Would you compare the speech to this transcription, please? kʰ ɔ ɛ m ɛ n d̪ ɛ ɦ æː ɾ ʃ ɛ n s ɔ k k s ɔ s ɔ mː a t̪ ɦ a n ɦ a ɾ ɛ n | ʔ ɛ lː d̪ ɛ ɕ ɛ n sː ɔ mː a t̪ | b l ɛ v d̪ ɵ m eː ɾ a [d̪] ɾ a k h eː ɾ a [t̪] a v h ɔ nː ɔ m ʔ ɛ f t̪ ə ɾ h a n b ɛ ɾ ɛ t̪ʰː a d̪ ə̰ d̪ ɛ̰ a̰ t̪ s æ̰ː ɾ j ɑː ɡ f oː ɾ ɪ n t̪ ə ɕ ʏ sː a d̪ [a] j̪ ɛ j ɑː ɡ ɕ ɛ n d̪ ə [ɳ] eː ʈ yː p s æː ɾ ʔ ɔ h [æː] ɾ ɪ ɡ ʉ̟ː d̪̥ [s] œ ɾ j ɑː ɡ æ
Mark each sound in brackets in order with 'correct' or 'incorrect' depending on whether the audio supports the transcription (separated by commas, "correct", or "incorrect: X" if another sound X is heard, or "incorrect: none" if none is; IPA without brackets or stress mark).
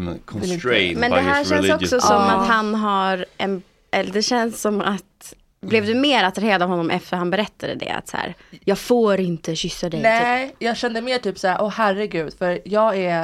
incorrect: t̪, incorrect: d̪, incorrect: ɛ, incorrect: m, incorrect: æ, incorrect: f